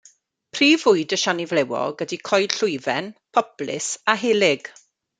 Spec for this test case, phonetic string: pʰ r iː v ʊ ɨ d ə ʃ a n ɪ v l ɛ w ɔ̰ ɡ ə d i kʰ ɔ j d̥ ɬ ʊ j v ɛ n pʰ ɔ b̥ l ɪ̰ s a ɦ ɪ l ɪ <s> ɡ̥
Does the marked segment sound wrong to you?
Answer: yes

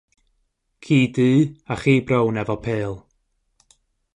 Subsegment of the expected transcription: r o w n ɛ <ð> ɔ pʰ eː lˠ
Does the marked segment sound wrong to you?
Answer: yes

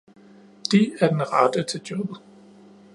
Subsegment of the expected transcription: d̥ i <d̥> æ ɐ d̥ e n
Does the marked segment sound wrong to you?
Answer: yes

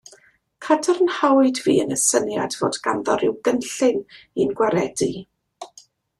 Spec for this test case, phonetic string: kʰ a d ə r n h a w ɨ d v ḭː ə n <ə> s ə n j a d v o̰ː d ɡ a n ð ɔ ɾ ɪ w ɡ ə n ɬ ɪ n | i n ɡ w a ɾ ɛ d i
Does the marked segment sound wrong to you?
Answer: no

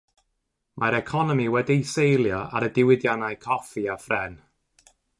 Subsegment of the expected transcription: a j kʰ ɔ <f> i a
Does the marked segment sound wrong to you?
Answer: no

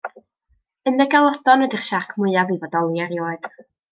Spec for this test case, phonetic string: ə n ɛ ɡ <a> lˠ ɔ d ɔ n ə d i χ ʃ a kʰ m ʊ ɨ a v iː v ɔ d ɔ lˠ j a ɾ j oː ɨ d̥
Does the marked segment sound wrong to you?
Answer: no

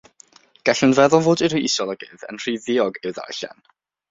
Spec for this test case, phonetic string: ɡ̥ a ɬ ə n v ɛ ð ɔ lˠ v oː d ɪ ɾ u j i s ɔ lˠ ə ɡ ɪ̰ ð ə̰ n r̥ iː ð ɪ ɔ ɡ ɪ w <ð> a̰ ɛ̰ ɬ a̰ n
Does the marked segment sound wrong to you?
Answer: no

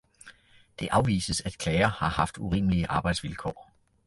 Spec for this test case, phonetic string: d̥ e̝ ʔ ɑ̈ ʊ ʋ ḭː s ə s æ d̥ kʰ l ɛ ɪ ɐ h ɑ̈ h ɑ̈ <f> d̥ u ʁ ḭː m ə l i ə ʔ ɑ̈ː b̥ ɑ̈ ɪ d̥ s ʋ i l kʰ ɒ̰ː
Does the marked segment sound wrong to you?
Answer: no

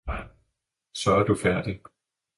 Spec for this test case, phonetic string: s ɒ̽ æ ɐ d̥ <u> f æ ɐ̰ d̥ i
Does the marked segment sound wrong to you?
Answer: no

